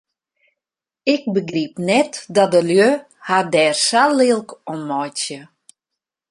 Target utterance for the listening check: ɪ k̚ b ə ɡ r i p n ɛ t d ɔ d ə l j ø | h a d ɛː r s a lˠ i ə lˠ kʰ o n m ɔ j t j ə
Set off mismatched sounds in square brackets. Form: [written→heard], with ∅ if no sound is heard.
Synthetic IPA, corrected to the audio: ɪ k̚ b ə ɡ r i p n ɛ t d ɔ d ə l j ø | h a d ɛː r s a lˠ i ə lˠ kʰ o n m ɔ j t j ə

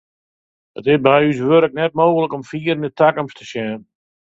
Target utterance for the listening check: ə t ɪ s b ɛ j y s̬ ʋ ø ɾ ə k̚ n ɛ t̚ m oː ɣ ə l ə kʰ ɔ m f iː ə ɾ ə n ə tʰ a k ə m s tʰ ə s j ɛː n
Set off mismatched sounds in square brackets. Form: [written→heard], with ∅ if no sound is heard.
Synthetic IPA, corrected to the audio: ə t ɪ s b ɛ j y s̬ ʋ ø ɾ ə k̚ n ɛ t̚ m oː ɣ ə l ə [kʰ→k] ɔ m f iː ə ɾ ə n ə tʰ a k ə m s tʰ ə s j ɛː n

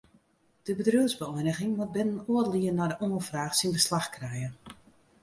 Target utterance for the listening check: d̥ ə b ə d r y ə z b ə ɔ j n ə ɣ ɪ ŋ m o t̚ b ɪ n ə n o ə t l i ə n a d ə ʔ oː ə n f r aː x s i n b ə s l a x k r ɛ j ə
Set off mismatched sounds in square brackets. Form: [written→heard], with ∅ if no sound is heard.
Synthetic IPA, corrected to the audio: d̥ ə b ə d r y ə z b ə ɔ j n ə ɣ ɪ ŋ m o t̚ b ɪ n ə n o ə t l i ə n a d ə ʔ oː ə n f r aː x s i n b ə s l a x k r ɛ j ə

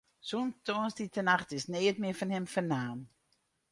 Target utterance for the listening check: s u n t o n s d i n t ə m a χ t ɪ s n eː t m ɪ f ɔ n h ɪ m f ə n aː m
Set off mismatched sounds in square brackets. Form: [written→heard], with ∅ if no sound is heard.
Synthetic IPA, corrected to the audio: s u n t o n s d i [n→∅] t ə [m→n] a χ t ɪ s n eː t m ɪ f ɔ n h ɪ m f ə n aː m

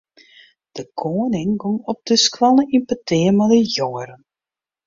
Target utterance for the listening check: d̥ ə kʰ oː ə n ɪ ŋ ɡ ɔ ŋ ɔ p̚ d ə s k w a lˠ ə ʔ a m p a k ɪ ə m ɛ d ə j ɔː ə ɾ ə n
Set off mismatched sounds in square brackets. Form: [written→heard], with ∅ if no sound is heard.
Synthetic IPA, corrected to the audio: d̥ ə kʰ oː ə n ɪ ŋ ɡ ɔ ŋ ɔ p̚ d ə s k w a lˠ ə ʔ [a→i] m p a [k→t] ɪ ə m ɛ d ə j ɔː ə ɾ ə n

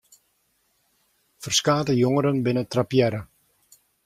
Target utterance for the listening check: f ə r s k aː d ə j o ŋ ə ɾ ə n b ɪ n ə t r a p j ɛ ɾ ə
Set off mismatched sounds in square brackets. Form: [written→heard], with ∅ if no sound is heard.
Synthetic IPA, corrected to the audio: f ə r s k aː [d→t] ə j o ŋ ə ɾ ə n b ɪ n ə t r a p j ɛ ɾ ə

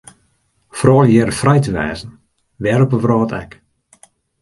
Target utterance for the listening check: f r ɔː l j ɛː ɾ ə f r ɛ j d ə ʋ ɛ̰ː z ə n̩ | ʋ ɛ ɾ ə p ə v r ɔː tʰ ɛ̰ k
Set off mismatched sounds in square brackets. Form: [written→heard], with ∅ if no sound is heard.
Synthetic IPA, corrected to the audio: f r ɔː l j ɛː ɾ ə f r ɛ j [d→t] ə ʋ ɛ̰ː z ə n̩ | ʋ ɛ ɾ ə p ə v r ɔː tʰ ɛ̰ k

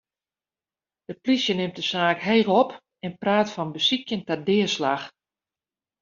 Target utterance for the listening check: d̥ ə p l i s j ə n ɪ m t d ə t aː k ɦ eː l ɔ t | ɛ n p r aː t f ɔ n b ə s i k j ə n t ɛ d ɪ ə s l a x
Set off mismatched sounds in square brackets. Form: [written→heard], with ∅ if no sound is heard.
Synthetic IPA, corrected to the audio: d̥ ə p l i s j ə n ɪ m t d ə [t→s] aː k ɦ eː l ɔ [t→p] | ɛ n p r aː t f ɔ n b ə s i k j ə n t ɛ d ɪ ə s l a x

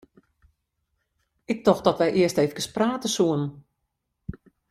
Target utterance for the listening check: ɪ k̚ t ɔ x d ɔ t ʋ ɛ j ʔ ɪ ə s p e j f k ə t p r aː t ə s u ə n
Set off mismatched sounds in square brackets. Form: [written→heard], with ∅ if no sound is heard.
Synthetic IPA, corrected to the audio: ɪ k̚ t ɔ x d ɔ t ʋ ɛ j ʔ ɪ ə s [p→t] e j f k ə [t→s] p r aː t ə s u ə n

